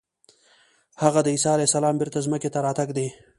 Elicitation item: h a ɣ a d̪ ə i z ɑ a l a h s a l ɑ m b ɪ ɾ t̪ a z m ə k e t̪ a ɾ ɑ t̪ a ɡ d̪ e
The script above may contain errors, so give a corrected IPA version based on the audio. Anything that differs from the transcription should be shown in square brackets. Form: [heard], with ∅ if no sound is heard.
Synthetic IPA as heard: h a ɣ a d̪ ə i [s] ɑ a l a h s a l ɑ m b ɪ ɾ t̪ a z m ə k e t̪ a ɾ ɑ t̪ a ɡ d̪ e

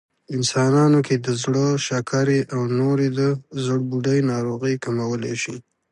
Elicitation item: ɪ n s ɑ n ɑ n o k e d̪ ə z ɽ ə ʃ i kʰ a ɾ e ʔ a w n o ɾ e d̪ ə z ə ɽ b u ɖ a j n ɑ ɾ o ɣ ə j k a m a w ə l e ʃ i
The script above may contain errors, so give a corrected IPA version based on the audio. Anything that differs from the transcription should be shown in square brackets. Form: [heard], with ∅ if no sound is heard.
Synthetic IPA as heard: ɪ n s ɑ n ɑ n o k e d̪ ə z ɽ ə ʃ [a] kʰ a ɾ e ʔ a w n o ɾ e d̪ ə z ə ɽ b u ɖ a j n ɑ ɾ o ɣ ə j k a m a w ə l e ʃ i

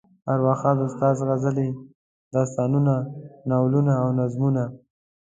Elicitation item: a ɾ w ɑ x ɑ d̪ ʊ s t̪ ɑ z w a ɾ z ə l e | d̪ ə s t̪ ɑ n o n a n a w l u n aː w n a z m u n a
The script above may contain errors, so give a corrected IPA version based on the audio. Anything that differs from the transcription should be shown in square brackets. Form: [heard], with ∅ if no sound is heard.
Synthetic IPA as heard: a ɾ w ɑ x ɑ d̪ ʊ s t̪ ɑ z [ɣ] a [∅] z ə l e | d̪ [ɑ] s t̪ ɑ n [u] n a n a w l u n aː w n a z m u n a

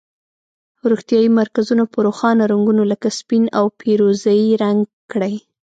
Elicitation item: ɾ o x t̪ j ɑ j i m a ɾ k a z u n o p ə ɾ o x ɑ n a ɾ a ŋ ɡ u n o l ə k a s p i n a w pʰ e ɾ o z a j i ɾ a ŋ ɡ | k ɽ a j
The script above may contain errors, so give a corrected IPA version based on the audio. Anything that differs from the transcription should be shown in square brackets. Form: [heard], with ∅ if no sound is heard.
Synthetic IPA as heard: ɾ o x t̪ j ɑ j i m a ɾ k a z u n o p ə ɾ o x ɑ n a ɾ a ŋ ɡ u n o l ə k a s p i n a w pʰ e ɾ o z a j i ɾ a ŋ ɡ | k ɽ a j

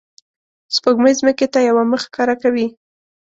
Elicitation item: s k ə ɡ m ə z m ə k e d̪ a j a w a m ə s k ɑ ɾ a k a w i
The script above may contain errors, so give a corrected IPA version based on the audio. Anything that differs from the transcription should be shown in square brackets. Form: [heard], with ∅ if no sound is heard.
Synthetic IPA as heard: s [p] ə ɡ m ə z m ə k e [t̪] a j a w a m ə [x] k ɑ ɾ a k a w i

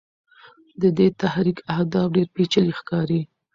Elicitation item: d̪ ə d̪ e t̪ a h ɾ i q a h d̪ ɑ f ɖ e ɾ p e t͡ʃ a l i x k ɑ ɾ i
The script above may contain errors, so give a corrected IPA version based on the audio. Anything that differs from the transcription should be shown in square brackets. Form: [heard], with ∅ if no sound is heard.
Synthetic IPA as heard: d̪ ə d̪ e t̪ a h ɾ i [k] a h d̪ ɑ f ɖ e ɾ p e t͡ʃ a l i x k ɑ ɾ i

